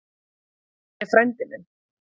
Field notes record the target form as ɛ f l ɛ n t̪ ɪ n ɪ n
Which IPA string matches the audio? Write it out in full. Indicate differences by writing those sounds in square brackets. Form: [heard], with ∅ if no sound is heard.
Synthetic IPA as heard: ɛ f [ɾ] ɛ n t̪ ɪ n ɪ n